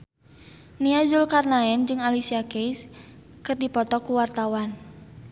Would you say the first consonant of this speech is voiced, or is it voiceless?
voiced